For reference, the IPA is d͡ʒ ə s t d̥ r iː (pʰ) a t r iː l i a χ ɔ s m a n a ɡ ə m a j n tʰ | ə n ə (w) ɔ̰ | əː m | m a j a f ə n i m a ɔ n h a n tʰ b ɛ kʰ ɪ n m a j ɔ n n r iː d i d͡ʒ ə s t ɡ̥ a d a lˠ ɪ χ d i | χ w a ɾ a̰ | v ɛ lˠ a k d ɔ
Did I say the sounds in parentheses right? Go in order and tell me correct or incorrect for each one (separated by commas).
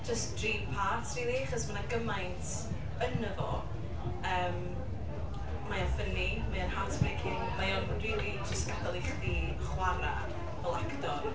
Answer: correct, incorrect